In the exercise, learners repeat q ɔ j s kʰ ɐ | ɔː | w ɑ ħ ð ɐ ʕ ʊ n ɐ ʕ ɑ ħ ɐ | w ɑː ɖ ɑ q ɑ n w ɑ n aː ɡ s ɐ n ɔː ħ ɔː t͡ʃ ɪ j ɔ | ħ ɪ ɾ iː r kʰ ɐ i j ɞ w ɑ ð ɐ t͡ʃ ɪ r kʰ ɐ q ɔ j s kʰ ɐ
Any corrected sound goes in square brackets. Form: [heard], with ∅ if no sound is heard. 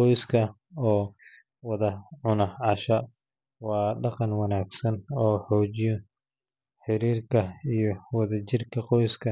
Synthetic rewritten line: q ɔ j s kʰ ɐ | ɔː | w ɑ [∅] ð ɐ ʕ ʊ n ɐ ʕ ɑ [ʃ] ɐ | w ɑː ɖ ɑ q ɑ n w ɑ n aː ɡ s ɐ n ɔː ħ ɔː t͡ʃ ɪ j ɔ | ħ ɪ ɾ iː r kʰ ɐ i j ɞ w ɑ ð ɐ t͡ʃ ɪ r kʰ ɐ q ɔ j s kʰ ɐ